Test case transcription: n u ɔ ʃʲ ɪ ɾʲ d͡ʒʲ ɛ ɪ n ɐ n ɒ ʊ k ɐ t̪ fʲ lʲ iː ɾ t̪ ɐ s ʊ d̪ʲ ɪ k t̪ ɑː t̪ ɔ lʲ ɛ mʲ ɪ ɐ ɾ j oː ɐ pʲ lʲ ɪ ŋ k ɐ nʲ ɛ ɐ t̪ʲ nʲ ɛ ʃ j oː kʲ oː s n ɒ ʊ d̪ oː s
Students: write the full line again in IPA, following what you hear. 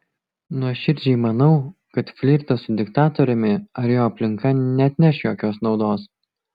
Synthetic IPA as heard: n u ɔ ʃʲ ɪ ɾʲ d͡ʒʲ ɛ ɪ m ɐ n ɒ ʊ k ɐ t̪ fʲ lʲ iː ɾ t̪ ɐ s ʊ d̪ʲ ɪ k t̪ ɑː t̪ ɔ ɾʲ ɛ mʲ ɪ ɐ ɾ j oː ɐ pʲ lʲ ɪ ŋ k ɐ nʲ ɛ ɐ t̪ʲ nʲ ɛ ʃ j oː kʲ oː s n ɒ ʊ d̪ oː s